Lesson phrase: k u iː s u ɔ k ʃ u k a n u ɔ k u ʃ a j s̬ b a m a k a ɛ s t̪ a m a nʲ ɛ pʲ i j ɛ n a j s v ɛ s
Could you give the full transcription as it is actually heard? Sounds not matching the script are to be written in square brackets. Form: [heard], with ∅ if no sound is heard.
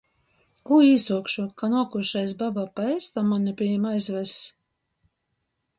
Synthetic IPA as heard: k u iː s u ɔ k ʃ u k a n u ɔ k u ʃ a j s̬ b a [b] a [p] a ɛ s t̪ a m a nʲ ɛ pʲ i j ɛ [m] a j [z] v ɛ s